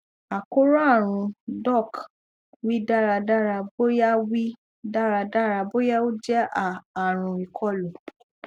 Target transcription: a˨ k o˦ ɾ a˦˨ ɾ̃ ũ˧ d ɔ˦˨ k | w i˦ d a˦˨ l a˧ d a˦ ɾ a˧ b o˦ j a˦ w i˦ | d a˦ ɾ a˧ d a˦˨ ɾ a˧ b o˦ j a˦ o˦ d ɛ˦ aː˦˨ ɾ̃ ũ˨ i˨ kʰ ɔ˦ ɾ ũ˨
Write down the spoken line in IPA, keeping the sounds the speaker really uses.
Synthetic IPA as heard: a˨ k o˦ ɾ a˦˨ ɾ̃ ũ˧ d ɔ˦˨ k | w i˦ d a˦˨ ɾ a˧ d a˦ ɾ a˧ b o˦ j a˦ w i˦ | d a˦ ɾ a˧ d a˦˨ ɾ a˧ b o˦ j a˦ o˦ d͡ʒ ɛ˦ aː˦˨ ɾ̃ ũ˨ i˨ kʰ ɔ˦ l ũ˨